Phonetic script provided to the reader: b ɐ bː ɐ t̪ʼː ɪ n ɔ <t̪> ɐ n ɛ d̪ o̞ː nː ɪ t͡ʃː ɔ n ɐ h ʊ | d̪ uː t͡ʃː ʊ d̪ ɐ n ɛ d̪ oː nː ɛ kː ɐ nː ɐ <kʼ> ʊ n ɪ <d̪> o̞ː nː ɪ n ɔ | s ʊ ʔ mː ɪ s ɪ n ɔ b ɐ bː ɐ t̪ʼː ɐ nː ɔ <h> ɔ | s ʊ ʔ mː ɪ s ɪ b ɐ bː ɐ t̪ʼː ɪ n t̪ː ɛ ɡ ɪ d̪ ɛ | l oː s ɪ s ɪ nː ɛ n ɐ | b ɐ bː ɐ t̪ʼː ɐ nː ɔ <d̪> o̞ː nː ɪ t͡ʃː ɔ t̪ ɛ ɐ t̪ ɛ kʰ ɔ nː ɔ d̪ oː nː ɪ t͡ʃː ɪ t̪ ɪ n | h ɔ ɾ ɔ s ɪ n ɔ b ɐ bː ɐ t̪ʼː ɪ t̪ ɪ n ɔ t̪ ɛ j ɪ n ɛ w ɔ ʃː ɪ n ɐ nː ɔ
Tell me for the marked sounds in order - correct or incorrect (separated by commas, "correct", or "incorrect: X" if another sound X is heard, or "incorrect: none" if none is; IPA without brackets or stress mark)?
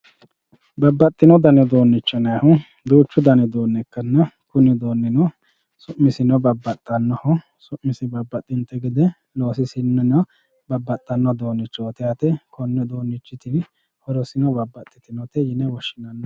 incorrect: d̪, incorrect: k, correct, correct, correct